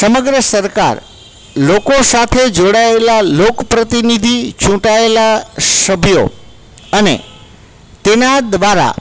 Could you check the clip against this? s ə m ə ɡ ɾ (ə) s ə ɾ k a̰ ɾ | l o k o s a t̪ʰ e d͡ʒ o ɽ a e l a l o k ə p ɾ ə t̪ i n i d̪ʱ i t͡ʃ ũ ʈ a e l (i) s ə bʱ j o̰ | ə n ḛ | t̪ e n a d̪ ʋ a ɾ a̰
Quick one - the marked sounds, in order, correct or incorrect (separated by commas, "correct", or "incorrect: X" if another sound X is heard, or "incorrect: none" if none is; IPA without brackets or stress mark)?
correct, incorrect: a